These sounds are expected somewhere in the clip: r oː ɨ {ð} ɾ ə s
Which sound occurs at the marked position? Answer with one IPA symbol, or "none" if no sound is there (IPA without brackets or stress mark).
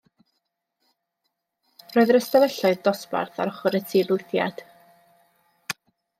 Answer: ð